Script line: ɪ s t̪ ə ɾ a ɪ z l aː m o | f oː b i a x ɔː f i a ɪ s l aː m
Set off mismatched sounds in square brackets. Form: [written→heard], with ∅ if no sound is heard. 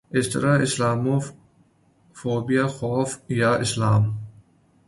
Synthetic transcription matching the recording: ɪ s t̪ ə ɾ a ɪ [z→s] l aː m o | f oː b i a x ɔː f [i→j] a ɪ s l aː m